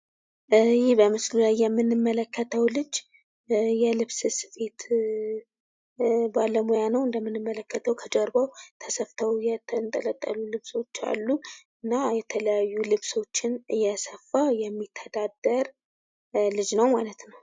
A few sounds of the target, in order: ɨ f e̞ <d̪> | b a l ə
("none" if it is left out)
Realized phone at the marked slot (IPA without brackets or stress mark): t̪